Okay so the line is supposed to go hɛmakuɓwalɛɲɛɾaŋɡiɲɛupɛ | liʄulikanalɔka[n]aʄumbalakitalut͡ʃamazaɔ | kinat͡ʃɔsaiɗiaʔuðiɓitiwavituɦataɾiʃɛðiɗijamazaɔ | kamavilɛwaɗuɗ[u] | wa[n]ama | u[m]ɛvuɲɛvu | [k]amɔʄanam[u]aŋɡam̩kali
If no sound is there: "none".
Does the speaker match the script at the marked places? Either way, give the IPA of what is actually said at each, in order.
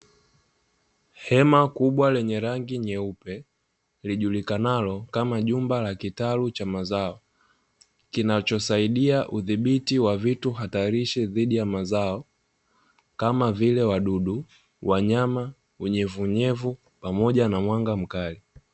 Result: m, u, ɲ, ɲ, p, w

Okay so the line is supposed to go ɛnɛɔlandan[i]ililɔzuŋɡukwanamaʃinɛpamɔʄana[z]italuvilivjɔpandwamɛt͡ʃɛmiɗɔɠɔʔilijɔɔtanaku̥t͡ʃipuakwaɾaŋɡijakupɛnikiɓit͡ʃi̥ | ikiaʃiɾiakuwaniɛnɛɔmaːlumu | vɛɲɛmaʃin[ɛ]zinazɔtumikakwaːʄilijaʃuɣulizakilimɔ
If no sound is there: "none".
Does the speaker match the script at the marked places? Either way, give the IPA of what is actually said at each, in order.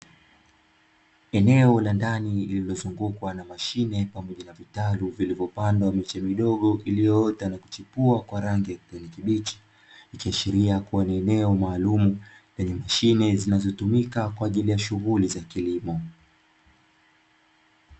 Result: i, v, ɛ

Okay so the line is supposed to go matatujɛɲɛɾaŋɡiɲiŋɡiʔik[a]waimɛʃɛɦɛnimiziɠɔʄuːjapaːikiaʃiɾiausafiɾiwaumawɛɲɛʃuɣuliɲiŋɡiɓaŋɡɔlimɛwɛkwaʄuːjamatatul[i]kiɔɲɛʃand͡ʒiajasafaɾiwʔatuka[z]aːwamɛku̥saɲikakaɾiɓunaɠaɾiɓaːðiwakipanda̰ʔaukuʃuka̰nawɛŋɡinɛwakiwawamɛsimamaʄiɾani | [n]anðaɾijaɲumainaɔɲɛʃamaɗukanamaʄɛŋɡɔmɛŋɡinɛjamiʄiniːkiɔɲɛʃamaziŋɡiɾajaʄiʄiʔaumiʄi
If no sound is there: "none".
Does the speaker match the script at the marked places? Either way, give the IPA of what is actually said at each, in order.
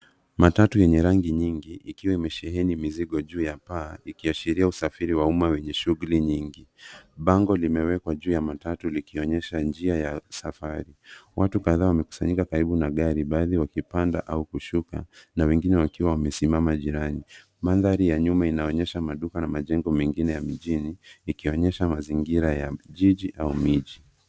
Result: i, i, ð, m

